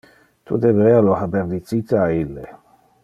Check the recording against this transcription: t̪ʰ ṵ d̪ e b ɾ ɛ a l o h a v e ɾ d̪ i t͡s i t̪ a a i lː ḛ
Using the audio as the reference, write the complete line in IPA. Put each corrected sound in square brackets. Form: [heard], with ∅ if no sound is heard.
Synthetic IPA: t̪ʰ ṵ d̪ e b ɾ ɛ a l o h a [b] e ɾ d̪ i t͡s i t̪ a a i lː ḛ